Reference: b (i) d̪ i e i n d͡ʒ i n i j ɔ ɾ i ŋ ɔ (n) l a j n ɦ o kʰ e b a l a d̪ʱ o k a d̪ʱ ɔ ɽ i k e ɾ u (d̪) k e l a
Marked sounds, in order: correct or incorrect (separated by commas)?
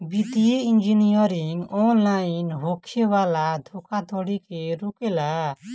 correct, correct, incorrect